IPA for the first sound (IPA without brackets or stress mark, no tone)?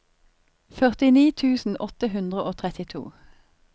f